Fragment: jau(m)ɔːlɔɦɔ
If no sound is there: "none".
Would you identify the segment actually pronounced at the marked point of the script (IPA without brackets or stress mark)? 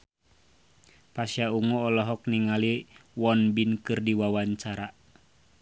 ŋ